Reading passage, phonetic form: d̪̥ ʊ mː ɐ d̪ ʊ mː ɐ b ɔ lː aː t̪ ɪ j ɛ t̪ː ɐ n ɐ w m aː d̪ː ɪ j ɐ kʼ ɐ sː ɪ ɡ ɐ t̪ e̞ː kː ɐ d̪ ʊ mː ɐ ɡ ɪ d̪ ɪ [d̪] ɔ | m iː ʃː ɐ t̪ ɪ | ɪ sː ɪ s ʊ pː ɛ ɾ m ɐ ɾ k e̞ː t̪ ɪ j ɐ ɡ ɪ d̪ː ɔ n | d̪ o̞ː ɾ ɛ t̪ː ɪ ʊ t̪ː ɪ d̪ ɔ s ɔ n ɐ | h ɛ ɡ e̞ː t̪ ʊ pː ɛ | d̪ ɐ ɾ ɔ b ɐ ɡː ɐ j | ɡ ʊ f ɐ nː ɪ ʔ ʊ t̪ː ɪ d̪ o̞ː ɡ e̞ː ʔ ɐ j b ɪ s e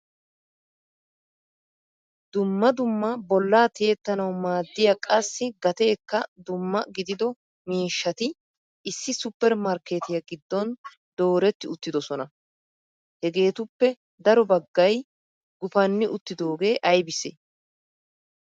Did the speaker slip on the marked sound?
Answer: no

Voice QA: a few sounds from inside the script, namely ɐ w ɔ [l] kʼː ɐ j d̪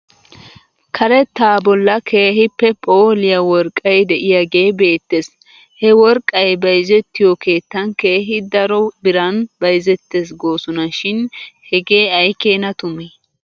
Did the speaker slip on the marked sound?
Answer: yes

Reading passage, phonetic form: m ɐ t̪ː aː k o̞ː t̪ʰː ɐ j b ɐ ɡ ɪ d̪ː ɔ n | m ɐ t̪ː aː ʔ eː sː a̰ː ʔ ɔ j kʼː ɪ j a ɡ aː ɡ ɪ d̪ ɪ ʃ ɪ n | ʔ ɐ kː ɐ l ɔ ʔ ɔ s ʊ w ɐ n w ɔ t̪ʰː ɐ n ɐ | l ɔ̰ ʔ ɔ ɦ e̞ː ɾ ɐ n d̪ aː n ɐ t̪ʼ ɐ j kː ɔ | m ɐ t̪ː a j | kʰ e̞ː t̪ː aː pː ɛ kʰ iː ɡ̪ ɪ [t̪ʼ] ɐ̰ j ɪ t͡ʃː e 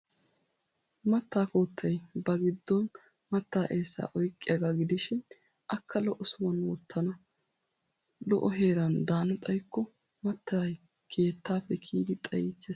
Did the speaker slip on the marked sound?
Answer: no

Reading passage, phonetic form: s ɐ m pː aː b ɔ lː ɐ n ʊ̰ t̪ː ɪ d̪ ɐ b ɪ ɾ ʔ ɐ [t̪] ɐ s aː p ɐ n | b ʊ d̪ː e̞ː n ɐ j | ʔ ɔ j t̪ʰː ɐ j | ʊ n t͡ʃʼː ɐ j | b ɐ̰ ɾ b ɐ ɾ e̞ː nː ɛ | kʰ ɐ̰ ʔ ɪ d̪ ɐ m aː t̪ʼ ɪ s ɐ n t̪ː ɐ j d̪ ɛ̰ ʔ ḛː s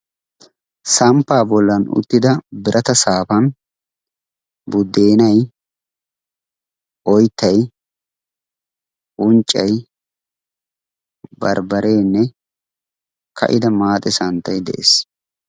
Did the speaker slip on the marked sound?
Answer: no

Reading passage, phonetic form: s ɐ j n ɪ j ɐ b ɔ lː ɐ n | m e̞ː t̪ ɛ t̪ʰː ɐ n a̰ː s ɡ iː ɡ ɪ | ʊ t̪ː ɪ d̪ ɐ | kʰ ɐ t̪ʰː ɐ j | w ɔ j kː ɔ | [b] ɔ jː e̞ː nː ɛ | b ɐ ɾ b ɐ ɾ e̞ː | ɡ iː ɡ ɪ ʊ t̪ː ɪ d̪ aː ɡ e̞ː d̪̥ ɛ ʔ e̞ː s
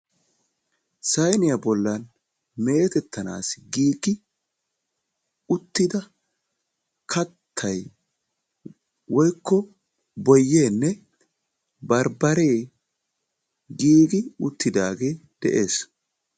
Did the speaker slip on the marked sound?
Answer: no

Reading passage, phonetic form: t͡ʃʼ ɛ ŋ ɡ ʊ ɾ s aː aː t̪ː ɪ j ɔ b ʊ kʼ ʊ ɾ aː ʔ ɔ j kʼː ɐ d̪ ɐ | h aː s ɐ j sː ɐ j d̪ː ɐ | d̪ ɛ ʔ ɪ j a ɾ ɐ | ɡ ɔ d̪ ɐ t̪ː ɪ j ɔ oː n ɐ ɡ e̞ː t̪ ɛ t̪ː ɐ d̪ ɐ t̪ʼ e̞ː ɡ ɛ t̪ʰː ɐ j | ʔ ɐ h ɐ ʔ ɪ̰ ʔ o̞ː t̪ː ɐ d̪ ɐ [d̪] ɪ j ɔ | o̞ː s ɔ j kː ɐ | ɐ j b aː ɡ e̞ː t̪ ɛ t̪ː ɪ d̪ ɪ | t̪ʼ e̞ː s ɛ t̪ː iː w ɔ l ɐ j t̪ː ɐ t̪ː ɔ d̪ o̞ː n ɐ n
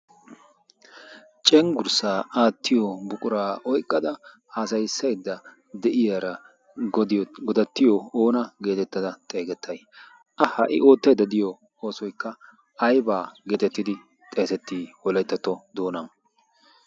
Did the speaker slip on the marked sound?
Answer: no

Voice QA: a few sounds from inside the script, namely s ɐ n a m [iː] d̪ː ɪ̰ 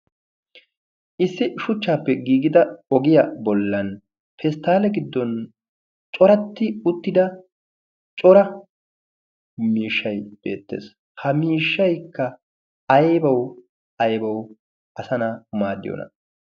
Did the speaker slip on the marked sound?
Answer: yes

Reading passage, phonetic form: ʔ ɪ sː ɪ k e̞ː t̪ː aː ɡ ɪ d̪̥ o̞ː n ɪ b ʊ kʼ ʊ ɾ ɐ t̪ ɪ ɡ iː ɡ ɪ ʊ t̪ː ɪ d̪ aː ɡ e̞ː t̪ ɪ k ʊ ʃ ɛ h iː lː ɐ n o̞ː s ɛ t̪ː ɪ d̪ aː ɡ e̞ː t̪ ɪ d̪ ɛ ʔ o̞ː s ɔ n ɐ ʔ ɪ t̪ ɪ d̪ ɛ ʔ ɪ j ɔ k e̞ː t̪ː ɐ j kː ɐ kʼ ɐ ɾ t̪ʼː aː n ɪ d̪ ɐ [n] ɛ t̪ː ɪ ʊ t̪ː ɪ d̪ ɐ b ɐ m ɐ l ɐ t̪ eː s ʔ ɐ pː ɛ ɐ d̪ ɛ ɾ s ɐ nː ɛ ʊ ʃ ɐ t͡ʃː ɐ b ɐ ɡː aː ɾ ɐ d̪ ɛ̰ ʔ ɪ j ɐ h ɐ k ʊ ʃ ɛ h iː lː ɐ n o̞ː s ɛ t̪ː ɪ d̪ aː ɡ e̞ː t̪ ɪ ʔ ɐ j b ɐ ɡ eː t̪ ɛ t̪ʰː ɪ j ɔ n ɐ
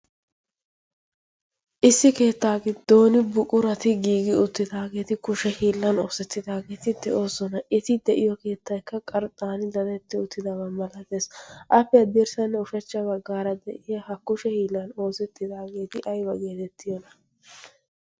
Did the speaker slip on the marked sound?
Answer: no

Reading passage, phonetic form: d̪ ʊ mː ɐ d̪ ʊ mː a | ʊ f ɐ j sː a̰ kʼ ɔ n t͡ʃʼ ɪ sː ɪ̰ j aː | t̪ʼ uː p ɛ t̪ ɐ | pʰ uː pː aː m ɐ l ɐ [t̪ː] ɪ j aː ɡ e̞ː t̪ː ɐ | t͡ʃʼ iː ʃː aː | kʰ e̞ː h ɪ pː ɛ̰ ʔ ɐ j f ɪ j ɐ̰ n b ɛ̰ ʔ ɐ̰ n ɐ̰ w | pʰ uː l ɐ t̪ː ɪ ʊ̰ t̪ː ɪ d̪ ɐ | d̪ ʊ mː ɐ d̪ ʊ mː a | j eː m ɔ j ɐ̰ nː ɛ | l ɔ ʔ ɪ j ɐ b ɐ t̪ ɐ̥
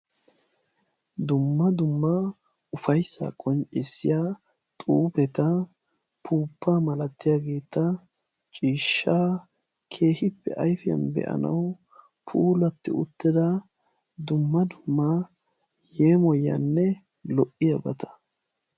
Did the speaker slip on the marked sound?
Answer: no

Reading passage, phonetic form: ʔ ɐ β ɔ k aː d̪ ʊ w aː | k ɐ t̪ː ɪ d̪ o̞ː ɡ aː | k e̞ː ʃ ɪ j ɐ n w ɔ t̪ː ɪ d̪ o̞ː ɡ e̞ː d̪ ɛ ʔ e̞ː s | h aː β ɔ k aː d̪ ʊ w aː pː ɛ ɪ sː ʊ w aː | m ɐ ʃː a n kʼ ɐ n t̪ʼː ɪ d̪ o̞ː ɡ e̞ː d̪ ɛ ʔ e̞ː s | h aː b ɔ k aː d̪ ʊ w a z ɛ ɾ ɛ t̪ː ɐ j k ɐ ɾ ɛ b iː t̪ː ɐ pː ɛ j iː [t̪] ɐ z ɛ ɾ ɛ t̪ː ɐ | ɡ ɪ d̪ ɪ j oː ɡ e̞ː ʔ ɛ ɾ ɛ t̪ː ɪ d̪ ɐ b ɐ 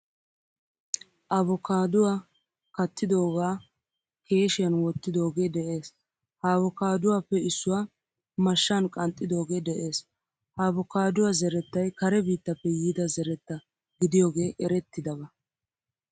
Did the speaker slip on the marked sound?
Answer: yes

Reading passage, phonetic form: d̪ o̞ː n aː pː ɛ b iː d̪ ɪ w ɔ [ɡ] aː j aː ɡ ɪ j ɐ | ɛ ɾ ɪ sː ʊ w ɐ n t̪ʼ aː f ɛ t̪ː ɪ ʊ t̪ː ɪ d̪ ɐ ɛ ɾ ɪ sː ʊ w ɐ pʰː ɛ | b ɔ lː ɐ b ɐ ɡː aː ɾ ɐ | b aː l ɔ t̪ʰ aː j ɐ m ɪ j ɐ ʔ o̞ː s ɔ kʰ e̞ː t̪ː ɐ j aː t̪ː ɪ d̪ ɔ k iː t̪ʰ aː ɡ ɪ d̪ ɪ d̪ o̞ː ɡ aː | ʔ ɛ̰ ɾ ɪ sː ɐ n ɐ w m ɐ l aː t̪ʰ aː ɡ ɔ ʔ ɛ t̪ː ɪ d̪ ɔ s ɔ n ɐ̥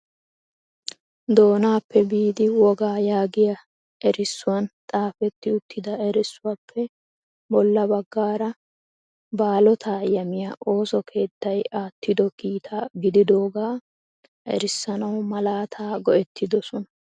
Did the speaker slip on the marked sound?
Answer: no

